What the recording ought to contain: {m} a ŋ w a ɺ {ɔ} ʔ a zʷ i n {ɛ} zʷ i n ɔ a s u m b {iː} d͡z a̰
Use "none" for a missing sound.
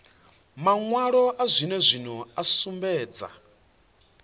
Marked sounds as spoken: m, ɔ, ɛ, ɛː

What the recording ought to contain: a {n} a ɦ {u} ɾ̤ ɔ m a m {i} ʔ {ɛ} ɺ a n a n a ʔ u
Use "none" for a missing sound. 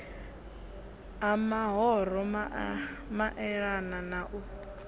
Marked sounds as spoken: m, ɔ, a, ɛ

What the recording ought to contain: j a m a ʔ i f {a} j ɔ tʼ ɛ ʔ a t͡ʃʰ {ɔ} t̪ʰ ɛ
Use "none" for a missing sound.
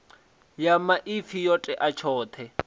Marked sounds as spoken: i, ɔː

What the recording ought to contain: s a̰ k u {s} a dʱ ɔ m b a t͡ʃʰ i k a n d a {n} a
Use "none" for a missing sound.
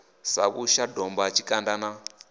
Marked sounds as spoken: ʃ, n

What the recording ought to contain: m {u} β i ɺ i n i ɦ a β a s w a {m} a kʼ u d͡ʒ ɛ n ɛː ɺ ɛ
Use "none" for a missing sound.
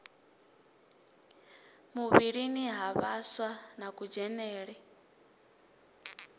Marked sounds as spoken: u, n

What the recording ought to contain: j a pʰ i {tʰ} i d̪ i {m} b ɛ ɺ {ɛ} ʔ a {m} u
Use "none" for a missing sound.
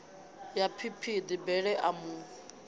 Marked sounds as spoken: pʰ, none, ɛ, m

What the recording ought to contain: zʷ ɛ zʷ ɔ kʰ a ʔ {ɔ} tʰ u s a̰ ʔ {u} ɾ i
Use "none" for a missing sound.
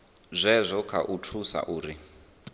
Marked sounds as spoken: u, uː

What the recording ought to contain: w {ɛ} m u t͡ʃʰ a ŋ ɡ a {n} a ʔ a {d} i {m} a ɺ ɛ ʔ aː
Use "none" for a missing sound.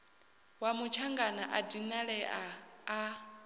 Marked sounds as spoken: a, n, d, n

